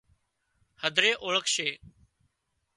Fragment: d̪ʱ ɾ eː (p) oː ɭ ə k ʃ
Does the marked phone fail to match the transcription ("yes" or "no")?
yes